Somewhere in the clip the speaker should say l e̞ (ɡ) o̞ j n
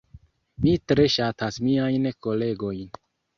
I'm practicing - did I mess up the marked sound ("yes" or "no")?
no